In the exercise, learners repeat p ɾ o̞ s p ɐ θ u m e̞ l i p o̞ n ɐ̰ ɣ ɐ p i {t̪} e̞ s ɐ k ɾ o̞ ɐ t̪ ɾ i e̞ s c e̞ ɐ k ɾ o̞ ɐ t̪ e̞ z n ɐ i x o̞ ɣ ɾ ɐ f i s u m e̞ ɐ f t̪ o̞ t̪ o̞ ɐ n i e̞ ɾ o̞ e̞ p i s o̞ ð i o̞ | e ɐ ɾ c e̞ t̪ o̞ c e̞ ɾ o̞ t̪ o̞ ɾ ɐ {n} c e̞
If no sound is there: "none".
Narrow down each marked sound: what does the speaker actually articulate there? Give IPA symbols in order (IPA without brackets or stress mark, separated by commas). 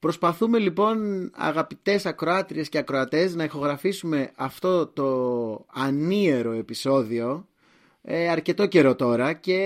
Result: t̪, none